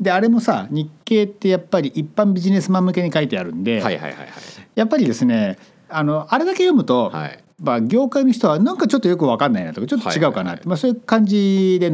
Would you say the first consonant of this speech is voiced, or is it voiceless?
voiced